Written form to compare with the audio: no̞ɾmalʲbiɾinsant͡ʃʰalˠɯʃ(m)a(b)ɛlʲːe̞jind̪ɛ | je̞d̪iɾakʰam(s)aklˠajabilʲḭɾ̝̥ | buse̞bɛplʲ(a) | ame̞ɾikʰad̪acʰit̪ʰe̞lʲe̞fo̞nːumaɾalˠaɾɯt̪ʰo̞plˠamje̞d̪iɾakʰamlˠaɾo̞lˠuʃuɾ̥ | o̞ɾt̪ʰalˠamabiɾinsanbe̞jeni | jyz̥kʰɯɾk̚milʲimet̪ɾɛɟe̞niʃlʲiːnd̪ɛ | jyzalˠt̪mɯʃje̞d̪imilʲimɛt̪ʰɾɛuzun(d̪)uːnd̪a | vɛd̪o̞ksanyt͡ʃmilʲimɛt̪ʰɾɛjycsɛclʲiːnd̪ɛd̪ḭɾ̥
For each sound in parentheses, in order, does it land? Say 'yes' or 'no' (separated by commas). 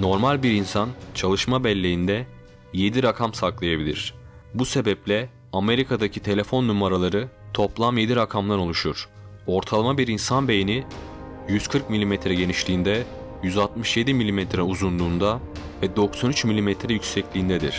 yes, yes, yes, no, yes